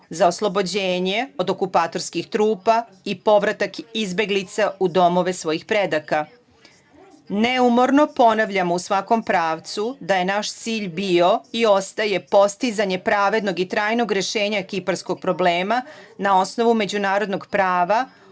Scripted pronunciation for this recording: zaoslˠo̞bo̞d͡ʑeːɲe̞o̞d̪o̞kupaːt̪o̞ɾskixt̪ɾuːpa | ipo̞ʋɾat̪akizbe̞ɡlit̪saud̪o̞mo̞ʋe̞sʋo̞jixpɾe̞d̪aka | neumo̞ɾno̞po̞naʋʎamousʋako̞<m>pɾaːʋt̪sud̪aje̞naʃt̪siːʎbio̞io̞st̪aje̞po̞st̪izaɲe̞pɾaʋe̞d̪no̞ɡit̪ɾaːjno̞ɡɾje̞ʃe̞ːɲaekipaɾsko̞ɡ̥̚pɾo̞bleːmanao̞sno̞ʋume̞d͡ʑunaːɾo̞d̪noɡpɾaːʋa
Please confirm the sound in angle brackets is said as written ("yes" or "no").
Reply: yes